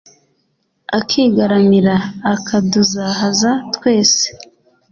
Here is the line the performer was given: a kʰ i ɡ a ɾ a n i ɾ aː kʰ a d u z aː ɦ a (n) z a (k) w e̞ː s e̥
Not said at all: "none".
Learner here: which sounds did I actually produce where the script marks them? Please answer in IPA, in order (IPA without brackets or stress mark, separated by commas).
none, t